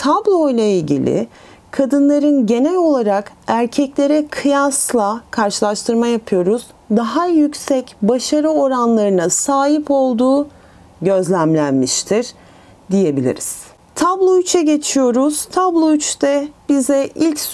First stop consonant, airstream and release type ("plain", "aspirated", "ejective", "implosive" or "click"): aspirated